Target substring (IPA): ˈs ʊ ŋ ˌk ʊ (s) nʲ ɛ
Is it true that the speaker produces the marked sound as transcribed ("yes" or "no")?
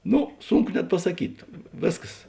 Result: no